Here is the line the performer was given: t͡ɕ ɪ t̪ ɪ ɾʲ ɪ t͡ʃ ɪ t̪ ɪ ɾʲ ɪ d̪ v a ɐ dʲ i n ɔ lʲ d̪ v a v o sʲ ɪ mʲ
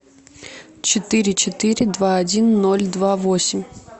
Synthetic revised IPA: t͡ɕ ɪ t̪ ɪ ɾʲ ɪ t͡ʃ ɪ t̪ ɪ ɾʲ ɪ d̪ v a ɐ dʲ i nː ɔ lʲ d̪ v a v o sʲ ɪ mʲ